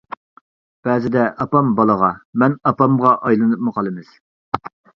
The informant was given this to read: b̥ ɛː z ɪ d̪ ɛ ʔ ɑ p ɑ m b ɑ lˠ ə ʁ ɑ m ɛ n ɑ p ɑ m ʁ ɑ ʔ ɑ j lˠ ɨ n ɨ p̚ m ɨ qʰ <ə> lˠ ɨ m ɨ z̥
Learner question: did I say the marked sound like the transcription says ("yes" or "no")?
no